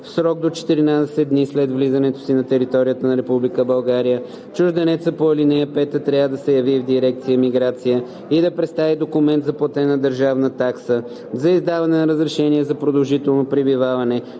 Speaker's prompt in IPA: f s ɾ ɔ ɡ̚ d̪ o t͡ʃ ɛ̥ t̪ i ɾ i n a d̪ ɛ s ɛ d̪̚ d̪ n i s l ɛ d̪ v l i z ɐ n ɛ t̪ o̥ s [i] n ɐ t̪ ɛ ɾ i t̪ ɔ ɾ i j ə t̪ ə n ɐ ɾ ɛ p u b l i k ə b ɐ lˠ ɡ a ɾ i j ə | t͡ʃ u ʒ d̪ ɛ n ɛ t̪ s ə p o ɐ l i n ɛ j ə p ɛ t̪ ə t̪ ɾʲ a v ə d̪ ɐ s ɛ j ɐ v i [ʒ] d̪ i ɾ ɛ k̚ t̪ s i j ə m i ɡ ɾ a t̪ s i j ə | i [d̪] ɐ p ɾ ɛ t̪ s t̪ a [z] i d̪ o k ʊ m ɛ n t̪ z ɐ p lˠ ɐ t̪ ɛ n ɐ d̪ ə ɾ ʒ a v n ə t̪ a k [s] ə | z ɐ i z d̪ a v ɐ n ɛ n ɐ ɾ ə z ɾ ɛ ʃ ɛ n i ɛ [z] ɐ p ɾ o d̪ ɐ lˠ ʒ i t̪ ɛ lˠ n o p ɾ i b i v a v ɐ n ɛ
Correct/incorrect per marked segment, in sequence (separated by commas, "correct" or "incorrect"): correct, incorrect, correct, incorrect, correct, correct